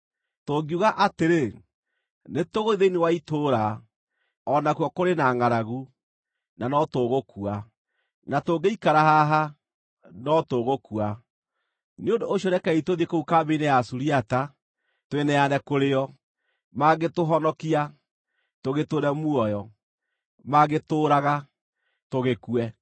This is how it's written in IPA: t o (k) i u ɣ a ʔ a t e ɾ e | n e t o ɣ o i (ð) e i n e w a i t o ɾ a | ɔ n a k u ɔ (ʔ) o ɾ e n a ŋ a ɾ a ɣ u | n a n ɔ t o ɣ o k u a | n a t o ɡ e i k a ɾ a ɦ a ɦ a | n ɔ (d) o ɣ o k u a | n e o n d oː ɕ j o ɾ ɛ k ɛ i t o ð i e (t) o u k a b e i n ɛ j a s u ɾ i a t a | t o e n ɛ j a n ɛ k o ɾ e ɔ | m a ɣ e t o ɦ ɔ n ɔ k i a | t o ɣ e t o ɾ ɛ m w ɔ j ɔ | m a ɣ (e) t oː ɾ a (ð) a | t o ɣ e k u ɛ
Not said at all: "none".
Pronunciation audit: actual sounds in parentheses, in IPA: ɡ, ð, k, t, k, e, ɣ

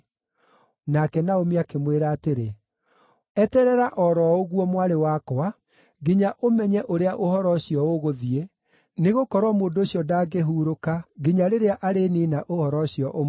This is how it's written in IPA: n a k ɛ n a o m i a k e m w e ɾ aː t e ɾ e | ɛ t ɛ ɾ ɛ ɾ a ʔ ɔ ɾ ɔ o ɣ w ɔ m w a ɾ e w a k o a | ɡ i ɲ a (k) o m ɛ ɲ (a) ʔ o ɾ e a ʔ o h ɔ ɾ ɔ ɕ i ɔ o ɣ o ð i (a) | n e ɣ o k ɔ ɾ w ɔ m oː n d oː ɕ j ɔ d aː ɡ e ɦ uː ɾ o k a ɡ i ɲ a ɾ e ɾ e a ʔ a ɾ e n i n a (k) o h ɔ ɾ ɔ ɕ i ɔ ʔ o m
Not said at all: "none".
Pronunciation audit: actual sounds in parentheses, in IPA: ʔ, ɛ, e, ʔ

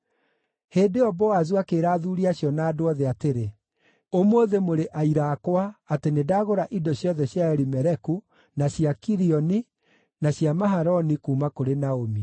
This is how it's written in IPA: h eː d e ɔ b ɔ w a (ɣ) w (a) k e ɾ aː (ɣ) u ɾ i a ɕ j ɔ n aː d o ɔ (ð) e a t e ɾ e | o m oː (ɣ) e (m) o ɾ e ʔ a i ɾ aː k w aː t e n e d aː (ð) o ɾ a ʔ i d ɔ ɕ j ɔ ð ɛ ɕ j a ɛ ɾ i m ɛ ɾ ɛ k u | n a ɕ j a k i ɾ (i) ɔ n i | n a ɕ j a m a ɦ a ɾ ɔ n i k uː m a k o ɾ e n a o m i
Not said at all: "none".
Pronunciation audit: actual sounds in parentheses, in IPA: z, a, ð, ð, ð, m, ɣ, i

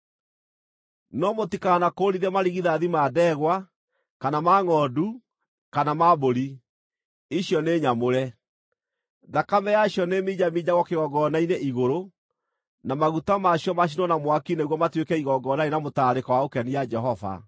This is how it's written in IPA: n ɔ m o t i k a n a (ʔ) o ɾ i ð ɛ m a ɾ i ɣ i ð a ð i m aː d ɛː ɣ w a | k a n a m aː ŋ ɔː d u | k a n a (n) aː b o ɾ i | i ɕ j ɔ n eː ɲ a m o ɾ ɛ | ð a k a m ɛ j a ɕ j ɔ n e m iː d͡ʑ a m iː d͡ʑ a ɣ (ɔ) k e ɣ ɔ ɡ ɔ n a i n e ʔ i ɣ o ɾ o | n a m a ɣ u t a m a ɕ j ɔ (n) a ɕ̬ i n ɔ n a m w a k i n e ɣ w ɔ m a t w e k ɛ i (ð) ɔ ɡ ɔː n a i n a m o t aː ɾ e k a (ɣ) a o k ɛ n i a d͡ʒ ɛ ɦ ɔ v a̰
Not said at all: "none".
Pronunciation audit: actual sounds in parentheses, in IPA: k, m, ɔ, m, ɣ, w

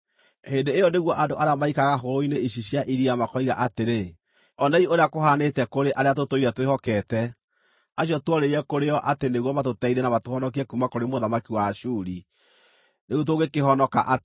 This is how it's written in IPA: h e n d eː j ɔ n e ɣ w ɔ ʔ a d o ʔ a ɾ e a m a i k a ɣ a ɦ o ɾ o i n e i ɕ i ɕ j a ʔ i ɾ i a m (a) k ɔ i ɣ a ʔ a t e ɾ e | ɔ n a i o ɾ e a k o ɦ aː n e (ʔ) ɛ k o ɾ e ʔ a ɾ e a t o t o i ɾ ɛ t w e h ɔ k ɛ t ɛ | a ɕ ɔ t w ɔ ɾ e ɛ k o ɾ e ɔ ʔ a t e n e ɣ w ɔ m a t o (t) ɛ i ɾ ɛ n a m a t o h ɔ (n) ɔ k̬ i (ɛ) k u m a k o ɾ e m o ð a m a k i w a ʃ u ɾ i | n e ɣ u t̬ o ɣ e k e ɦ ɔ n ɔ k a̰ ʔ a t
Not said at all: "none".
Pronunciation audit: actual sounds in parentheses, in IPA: a, t, t, n, ɛ

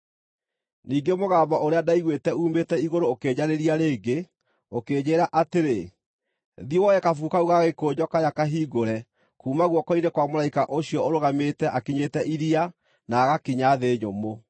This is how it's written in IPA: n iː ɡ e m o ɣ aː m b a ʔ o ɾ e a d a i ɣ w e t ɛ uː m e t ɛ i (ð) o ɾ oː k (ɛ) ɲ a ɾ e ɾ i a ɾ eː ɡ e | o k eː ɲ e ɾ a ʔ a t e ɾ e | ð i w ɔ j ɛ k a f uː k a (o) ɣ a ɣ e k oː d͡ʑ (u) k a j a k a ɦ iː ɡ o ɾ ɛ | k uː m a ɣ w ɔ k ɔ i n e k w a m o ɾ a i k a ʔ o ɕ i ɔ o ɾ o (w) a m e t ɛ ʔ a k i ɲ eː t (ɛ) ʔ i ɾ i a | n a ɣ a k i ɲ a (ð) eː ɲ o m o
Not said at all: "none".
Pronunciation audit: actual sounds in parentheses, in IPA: ɣ, e, u, ɔ, ɣ, ɛ, ð

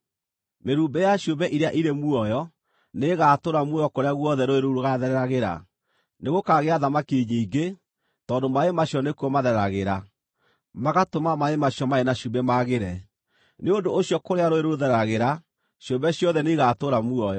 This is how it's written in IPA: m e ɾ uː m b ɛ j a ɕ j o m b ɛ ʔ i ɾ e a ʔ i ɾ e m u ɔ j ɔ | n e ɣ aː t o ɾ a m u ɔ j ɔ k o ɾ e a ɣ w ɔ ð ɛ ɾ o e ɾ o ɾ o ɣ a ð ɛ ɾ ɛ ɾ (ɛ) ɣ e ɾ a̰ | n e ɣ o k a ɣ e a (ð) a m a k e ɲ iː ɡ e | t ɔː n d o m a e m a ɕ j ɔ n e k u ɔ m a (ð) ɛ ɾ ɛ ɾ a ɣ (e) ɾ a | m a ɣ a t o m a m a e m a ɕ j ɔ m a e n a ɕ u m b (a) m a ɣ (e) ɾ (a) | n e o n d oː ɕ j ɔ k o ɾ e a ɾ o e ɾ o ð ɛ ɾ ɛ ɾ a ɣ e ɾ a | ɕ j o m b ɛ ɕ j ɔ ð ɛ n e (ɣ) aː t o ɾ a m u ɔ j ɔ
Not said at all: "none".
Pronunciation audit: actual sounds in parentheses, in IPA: a, ð, ð, e, ɛ, e, ɛ, ɣ

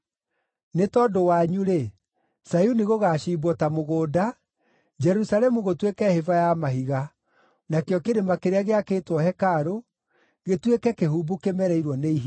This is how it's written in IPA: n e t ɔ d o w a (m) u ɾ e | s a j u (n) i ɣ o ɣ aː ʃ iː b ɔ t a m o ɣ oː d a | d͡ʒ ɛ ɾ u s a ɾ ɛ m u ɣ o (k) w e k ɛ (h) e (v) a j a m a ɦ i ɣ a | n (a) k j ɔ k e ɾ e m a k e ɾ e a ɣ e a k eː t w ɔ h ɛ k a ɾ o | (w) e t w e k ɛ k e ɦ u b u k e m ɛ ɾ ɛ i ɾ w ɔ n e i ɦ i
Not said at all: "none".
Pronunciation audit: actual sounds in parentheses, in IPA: ɲ, n, t, h, v, a, ɣ

